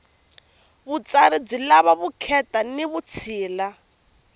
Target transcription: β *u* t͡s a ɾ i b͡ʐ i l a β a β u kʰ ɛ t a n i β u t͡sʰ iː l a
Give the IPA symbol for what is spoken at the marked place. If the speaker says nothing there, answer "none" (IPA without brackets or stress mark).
u